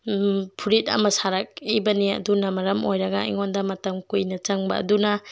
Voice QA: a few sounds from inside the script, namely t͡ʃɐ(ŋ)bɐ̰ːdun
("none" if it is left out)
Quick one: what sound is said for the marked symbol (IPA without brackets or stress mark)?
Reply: ŋ